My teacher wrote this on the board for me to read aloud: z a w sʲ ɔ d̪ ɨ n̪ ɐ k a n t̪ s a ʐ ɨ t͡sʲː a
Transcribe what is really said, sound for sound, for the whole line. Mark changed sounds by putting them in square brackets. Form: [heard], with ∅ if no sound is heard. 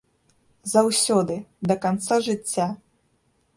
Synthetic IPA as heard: z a w sʲ ɔ d̪ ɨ [d̪] ɐ k a n t̪ s a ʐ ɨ t͡sʲː a